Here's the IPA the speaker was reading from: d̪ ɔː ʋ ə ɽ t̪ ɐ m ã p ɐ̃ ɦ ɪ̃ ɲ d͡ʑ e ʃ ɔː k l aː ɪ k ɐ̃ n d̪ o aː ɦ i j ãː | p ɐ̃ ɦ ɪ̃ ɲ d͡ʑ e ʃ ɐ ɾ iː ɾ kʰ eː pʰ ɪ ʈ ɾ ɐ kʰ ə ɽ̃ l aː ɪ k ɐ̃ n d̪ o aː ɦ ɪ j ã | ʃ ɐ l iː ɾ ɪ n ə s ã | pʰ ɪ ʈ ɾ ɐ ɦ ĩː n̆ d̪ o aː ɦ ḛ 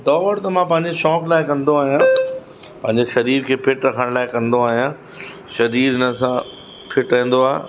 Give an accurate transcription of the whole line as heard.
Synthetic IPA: d̪ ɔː ʋ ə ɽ t̪ ɐ m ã p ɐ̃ ɦ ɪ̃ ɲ d͡ʑ e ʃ ɔː k l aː ɪ k ɐ̃ n d̪ o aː ɦ i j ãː | p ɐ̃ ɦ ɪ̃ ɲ d͡ʑ e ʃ ɐ ɾ iː ɾ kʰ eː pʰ ɪ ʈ ɾ ɐ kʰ ə ɽ̃ l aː ɪ k ɐ̃ n d̪ o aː ɦ i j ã | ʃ ɐ ɾ iː ɾ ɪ n ə s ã | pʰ ɪ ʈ ɾ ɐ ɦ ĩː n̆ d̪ o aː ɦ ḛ